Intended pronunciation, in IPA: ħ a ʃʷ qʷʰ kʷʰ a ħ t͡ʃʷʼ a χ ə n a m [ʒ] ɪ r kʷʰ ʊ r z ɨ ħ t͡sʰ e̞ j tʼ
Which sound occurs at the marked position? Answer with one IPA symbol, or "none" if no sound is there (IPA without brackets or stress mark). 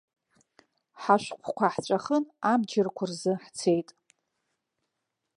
d͡ʒ